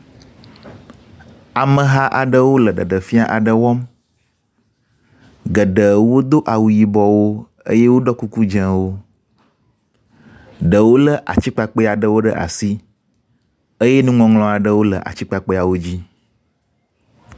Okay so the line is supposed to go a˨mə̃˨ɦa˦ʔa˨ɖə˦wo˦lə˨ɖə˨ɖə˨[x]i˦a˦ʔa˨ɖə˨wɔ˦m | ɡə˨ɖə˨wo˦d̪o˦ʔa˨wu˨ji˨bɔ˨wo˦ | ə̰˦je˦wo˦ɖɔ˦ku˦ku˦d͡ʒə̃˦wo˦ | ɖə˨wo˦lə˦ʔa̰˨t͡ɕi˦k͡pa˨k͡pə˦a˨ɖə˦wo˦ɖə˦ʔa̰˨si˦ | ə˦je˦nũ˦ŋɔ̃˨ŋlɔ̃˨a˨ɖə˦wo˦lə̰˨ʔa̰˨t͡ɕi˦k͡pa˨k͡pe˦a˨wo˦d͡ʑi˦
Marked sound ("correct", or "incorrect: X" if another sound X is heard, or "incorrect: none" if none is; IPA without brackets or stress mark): incorrect: f